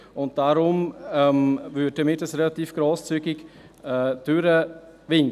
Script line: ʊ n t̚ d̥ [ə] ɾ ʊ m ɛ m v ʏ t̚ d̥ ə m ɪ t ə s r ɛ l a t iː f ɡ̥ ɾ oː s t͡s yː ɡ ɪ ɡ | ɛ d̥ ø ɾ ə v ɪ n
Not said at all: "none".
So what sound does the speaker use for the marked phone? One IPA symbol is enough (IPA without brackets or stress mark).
a